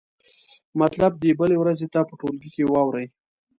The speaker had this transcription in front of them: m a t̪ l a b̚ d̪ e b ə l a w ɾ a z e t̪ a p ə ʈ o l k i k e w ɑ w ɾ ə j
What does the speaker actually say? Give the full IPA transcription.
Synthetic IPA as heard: m a t̪ l a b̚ d̪ e b ə l e w ɾ a z e t̪ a p ə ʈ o l ɡ i k e w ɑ w ɾ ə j